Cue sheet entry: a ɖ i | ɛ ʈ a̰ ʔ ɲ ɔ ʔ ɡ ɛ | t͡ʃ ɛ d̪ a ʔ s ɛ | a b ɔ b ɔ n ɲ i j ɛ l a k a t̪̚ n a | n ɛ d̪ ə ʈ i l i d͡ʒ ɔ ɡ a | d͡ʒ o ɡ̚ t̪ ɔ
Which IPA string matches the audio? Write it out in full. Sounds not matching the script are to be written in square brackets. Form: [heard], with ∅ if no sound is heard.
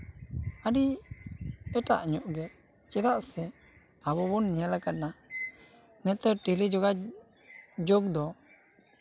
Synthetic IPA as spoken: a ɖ i | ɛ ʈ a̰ ʔ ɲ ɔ ʔ ɡ ɛ | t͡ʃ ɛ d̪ a ʔ s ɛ | a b ɔ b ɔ n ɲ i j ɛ l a k a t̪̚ n a | n ɛ [t̪] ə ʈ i l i d͡ʒ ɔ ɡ a | d͡ʒ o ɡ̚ [d̪] ɔ